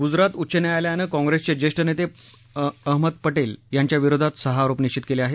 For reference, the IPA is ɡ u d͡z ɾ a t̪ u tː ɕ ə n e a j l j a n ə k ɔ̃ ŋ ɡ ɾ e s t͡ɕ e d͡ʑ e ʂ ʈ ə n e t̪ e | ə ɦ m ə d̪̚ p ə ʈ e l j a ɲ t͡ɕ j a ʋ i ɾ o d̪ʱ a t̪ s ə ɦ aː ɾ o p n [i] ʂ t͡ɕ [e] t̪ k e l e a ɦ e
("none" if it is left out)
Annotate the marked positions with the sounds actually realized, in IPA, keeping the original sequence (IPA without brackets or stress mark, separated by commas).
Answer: i, i